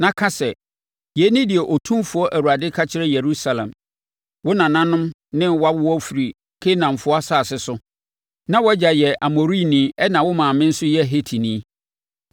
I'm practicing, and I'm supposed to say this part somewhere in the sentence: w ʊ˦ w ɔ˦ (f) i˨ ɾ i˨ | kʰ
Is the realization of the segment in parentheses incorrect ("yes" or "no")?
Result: no